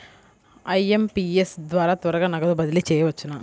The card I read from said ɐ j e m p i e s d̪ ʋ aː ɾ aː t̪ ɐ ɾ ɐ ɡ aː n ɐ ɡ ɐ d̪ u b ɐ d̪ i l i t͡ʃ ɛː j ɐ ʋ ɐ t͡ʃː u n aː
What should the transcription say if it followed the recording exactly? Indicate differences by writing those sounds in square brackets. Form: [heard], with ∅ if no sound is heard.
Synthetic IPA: ɐ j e m p i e s d̪ ʋ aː ɾ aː t̪ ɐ ɾ ɐ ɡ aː n ɐ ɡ ɐ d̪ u b ɐ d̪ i l i t͡ʃ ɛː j ɐ ʋ ɐ t͡ʃː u n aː